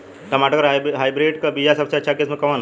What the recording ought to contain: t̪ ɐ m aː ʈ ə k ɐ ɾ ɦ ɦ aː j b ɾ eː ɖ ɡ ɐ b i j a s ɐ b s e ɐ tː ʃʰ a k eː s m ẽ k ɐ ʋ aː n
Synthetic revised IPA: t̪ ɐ m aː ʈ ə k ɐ ɾ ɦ ɦ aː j b ɾ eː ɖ k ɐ b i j a s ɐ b s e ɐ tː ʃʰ a k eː s m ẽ k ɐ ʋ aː n